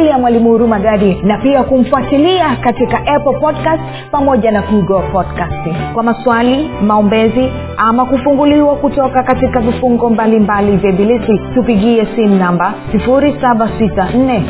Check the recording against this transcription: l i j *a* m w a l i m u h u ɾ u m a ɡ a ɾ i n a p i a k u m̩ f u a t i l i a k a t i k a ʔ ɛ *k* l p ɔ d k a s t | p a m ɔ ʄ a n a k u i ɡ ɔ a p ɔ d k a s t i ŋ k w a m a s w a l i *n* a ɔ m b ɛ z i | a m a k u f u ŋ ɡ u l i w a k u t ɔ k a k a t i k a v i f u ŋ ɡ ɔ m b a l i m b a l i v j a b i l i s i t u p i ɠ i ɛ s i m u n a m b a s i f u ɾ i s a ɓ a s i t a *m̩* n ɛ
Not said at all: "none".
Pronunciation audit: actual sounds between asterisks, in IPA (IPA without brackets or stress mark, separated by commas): a, p, m, n̩